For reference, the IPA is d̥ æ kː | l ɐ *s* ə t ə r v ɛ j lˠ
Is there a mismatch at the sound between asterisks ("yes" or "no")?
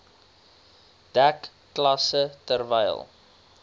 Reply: no